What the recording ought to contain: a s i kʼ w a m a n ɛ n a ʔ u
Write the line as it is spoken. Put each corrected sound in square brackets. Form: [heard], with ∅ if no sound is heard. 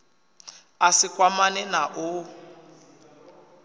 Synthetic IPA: a s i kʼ w a m a n ɛ n a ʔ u